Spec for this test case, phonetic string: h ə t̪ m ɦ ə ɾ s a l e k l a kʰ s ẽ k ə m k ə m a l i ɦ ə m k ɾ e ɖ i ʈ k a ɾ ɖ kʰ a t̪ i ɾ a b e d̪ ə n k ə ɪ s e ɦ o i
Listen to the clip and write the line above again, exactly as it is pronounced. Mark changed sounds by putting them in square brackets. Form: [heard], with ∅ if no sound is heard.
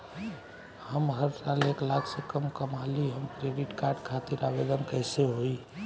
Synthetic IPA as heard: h ə [∅] m ɦ ə ɾ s a l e k l a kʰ s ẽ k ə m k ə m a l i ɦ ə m k ɾ e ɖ i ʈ k a ɾ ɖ kʰ a t̪ i ɾ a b e d̪ ə n k ə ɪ s e ɦ o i